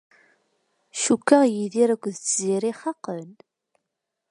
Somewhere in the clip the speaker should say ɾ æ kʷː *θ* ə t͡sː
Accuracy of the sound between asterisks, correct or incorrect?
incorrect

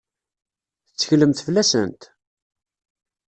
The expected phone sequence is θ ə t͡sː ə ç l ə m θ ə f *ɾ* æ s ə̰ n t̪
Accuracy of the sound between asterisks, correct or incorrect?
incorrect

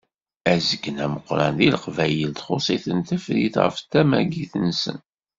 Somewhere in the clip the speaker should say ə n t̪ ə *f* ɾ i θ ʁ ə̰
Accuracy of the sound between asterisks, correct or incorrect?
correct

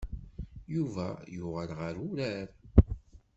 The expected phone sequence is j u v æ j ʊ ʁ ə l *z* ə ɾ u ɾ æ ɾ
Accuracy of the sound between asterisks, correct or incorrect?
incorrect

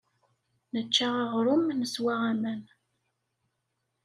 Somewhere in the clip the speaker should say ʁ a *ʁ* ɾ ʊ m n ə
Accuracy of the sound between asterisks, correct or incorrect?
correct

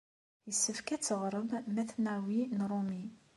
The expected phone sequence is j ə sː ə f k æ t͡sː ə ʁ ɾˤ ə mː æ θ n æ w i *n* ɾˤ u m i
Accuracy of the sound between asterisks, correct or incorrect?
correct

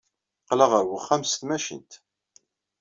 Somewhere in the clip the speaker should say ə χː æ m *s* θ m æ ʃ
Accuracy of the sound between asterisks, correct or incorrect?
correct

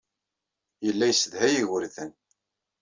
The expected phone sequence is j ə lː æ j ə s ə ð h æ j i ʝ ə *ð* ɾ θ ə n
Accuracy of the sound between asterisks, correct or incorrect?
incorrect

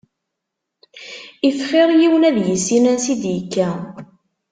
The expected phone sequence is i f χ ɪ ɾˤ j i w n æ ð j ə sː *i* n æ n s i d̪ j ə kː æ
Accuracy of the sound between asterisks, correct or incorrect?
correct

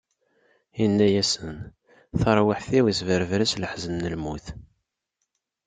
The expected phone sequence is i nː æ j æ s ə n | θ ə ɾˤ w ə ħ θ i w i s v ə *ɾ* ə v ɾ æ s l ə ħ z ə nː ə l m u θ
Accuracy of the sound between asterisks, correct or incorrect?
correct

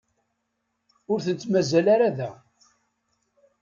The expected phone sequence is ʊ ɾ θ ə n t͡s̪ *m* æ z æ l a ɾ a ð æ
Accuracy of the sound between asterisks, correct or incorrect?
correct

